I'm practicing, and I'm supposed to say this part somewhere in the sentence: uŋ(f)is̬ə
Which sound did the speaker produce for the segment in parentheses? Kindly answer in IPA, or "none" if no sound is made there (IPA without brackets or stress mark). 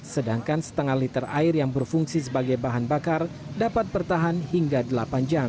s